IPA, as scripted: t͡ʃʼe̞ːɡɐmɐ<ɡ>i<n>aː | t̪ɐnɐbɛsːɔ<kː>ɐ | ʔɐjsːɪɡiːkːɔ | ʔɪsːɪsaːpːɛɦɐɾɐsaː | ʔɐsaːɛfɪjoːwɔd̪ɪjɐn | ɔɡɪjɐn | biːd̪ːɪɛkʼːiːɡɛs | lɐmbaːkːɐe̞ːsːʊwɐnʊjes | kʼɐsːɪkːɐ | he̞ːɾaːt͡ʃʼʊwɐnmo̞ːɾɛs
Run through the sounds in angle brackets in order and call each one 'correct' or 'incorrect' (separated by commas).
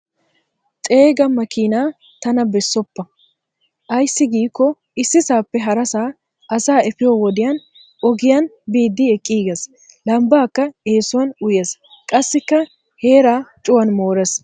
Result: incorrect, correct, incorrect